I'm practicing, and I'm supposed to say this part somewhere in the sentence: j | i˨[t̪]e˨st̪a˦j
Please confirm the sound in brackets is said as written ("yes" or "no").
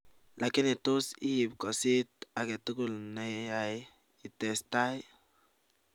yes